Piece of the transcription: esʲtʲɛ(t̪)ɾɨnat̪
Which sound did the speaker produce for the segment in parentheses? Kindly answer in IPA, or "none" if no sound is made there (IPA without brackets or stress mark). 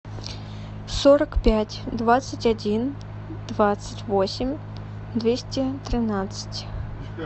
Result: t̪